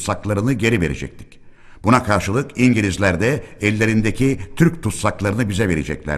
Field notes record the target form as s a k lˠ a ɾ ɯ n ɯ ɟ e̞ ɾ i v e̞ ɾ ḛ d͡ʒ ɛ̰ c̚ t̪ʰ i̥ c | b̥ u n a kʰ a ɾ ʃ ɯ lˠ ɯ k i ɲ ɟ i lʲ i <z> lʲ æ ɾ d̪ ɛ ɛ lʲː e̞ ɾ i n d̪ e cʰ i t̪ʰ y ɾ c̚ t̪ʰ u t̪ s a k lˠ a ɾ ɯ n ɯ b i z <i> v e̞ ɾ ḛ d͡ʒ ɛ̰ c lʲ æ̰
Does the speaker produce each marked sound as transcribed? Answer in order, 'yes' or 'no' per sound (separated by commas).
yes, no